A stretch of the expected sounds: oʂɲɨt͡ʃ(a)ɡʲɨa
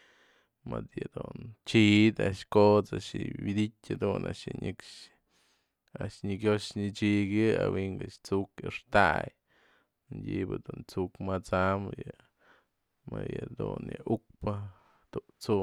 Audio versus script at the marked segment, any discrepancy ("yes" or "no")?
yes